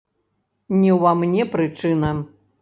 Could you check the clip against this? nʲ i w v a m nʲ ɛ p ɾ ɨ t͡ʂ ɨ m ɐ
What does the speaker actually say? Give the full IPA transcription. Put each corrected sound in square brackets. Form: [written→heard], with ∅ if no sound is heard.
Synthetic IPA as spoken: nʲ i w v a m nʲ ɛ p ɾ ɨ t͡ʂ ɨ [m→n] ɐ